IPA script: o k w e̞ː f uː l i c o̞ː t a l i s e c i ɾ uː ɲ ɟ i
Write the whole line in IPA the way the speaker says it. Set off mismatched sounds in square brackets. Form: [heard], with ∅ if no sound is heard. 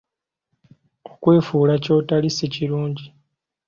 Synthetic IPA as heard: o k w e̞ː f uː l [a] c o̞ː t a l i s e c i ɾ uː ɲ ɟ i